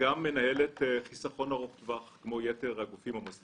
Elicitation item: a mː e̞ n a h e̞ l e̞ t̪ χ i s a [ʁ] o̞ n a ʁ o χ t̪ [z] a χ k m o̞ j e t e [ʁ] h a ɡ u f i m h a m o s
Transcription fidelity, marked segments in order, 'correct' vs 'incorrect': incorrect: χ, incorrect: v, correct

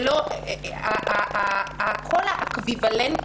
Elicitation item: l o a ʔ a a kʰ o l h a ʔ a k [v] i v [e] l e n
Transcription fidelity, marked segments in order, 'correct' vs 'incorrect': correct, incorrect: a

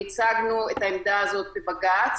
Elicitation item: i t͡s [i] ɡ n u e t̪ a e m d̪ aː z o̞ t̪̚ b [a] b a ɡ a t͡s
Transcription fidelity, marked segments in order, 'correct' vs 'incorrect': incorrect: a, incorrect: e

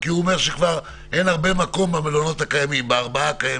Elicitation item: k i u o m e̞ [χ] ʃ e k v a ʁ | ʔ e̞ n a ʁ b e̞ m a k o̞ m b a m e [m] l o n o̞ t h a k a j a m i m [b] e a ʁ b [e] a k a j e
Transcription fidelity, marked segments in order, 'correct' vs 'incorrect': incorrect: ʁ, incorrect: none, correct, incorrect: a

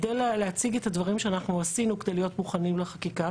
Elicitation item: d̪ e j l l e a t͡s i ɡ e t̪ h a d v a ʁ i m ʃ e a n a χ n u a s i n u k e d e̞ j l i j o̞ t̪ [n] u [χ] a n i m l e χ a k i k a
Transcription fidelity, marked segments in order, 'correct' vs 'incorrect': incorrect: m, correct

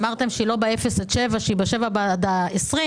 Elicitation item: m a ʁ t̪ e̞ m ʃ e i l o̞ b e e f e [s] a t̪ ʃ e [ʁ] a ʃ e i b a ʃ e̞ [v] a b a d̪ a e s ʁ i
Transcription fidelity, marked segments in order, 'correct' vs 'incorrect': correct, incorrect: v, correct

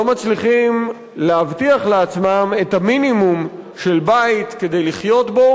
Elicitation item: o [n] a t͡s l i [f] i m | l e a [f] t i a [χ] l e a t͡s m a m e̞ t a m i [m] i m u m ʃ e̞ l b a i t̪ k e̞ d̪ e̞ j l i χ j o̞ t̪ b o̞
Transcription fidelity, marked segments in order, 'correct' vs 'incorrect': incorrect: m, incorrect: χ, incorrect: v, correct, incorrect: n

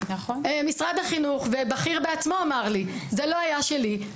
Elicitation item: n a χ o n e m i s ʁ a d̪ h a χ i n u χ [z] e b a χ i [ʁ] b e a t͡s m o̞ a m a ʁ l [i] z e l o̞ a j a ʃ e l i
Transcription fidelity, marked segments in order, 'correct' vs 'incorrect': incorrect: v, correct, correct

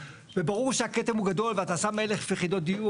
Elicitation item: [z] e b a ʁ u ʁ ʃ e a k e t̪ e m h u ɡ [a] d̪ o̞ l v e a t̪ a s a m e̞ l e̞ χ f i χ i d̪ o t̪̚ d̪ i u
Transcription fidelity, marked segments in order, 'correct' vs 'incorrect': incorrect: v, correct

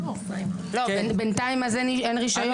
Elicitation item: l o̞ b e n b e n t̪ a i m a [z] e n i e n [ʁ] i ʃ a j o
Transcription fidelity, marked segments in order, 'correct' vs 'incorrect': correct, correct

